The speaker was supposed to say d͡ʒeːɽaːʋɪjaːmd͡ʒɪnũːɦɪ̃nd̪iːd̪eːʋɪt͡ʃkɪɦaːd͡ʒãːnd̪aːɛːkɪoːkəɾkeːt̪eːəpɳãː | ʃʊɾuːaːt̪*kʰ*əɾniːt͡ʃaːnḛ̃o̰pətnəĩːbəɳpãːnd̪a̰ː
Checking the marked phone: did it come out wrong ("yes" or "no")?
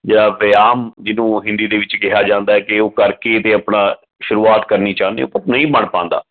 yes